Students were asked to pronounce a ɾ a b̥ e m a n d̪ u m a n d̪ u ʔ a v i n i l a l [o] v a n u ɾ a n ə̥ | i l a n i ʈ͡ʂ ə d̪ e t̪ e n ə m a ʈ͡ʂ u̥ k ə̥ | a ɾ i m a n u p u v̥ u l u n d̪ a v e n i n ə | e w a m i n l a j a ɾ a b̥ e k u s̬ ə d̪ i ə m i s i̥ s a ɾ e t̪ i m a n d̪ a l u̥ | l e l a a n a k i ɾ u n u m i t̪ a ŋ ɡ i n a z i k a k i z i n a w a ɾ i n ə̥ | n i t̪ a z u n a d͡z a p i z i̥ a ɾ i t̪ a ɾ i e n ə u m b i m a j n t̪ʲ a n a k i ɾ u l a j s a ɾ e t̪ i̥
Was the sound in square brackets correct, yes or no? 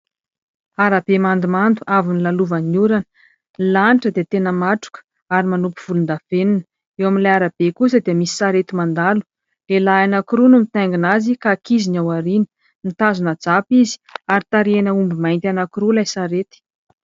no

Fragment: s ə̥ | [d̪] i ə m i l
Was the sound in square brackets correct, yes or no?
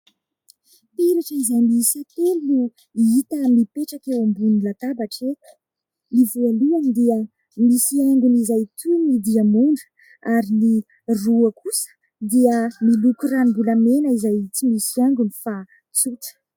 yes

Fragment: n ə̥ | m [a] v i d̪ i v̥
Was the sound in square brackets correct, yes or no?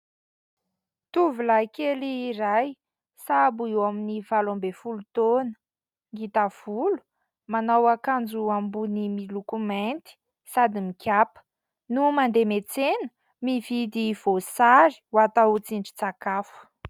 no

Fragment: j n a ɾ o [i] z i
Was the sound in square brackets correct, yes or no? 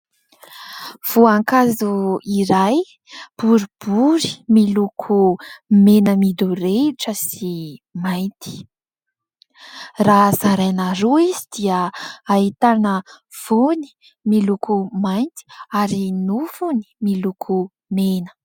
yes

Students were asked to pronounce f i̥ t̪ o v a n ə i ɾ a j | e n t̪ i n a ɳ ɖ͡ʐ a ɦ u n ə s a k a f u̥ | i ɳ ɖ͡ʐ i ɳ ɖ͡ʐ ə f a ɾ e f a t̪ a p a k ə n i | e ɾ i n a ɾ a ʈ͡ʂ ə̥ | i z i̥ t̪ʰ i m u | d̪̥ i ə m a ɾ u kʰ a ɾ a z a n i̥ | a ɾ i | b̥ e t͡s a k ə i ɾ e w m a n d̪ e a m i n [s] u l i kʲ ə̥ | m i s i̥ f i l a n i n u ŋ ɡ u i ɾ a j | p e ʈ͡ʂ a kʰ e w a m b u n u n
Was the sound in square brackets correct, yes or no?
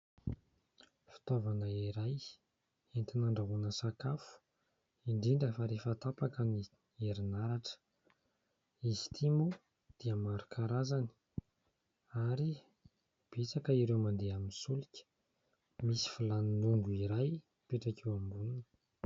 yes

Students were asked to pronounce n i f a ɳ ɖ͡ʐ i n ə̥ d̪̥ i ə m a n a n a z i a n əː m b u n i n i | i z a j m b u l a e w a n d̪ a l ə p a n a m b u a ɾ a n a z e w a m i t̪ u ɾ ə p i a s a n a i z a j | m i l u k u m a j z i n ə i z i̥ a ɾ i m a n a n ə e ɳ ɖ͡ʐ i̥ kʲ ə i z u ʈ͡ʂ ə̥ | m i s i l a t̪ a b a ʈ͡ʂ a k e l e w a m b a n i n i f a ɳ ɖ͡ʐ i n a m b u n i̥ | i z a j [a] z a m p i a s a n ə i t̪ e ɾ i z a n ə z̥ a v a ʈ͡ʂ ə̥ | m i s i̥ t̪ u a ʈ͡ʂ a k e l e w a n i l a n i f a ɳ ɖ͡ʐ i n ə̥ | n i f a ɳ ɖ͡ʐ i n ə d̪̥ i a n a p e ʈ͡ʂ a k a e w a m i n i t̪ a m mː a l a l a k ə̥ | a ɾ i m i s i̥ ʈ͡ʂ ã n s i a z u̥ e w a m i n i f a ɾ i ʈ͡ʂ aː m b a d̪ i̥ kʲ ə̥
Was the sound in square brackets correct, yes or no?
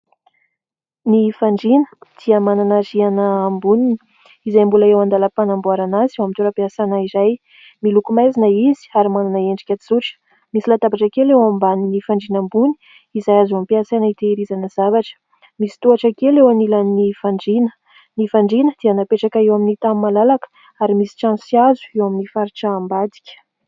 yes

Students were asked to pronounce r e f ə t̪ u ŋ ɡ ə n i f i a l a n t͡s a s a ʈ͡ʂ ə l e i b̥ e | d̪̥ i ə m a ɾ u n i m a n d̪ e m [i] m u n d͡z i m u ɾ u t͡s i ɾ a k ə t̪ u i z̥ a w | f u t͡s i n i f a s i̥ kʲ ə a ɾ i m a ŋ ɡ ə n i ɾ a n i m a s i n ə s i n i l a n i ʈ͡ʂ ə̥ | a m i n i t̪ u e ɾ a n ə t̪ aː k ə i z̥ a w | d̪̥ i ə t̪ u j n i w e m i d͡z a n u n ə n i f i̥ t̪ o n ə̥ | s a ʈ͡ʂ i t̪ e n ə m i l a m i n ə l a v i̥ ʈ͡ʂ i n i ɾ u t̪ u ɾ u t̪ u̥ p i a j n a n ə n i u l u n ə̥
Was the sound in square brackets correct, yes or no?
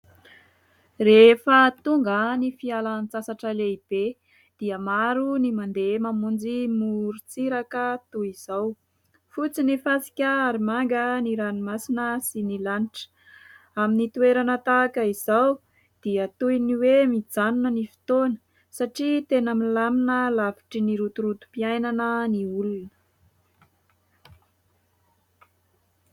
no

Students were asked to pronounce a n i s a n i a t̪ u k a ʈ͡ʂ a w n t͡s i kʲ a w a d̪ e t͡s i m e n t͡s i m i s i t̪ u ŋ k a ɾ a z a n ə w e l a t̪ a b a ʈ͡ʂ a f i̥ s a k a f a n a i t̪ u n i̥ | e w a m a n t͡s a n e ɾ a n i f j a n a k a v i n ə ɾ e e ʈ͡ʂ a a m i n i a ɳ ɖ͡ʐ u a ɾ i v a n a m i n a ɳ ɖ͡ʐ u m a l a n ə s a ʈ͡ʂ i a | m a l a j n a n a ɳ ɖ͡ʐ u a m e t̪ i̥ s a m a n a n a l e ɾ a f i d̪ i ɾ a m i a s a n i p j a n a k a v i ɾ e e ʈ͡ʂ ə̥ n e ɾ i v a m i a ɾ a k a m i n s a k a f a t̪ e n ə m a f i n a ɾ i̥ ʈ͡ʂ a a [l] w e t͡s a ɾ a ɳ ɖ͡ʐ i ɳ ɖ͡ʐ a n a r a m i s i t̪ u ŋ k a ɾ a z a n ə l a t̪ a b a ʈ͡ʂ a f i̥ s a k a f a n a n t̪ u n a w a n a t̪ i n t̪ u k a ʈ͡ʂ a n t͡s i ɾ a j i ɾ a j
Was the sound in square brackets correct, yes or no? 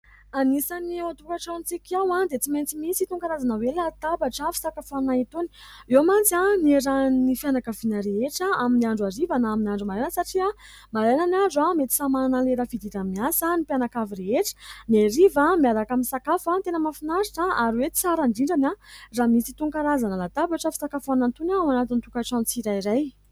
no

